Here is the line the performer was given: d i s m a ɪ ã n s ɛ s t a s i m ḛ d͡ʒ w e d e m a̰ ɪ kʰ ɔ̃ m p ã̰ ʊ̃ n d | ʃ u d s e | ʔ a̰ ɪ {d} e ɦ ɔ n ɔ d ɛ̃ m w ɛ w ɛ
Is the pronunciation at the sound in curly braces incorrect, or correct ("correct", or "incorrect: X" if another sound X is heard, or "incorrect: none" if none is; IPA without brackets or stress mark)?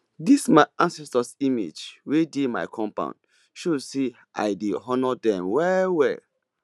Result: correct